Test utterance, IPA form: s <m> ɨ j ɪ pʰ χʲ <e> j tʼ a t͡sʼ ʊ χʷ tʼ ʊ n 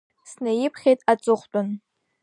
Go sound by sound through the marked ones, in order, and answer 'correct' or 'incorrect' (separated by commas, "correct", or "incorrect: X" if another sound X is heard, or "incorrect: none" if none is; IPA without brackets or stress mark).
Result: incorrect: n, correct